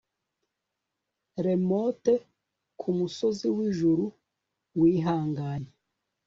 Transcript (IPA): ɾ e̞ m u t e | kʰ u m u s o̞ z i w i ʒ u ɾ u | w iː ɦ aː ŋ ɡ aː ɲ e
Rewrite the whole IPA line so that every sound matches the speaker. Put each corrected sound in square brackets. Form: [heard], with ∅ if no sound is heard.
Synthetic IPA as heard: ɾ e̞ m [o] t e | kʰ u m u s o̞ z i w i ʒ u ɾ u | w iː ɦ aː ŋ ɡ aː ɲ e